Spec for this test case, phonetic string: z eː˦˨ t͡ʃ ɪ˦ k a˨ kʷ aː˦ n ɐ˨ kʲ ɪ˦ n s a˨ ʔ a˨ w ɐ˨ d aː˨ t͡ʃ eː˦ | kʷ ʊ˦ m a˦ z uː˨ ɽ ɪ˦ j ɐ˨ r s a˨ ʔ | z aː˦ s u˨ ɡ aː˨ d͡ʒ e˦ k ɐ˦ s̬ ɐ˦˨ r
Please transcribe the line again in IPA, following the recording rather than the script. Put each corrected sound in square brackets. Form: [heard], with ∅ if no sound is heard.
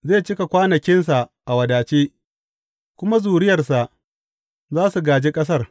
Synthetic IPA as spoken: z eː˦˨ t͡ʃ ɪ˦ k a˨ kʷ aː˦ n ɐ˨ kʲ ɪ˦ n s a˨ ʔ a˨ w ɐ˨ d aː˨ t͡ʃ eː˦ | kʷ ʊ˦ m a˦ z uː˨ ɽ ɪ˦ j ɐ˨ r s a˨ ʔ | z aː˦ s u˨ ɡ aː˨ d͡ʒ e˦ [kʼ] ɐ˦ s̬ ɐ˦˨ r